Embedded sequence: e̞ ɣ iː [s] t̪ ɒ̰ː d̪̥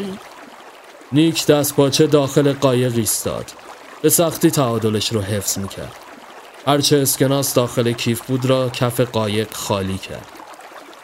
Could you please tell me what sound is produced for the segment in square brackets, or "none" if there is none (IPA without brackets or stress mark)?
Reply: s